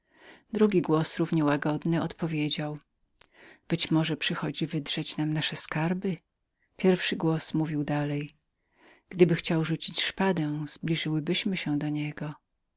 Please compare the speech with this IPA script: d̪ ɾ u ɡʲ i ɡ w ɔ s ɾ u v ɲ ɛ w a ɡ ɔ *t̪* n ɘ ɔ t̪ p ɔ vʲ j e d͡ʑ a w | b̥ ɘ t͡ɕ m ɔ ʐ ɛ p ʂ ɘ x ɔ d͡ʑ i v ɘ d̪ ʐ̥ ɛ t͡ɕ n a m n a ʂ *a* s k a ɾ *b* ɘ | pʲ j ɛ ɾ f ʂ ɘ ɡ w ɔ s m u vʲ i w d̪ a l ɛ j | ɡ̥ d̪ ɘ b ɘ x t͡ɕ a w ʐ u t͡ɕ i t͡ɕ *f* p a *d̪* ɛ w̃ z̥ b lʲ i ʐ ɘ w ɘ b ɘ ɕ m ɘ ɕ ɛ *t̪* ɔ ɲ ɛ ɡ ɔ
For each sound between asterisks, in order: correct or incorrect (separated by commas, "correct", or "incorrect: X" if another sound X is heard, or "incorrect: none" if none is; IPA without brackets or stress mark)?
incorrect: d̪, incorrect: ɛ, correct, incorrect: ʂ, correct, incorrect: d̪